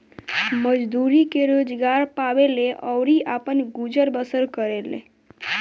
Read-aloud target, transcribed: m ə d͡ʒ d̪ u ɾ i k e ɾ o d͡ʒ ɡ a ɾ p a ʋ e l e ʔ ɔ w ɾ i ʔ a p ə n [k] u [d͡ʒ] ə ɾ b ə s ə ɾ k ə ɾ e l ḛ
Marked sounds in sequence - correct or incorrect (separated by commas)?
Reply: incorrect, correct